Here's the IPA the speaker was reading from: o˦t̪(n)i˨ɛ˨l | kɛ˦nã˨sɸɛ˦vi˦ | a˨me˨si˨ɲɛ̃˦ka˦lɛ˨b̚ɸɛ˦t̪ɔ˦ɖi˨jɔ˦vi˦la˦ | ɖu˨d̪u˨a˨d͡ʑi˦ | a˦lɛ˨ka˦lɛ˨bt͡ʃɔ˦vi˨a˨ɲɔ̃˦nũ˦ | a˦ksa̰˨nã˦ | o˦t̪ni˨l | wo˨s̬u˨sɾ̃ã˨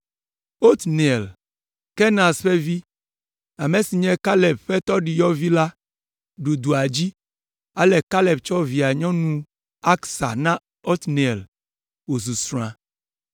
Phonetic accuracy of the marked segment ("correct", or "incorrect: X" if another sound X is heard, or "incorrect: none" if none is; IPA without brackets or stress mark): correct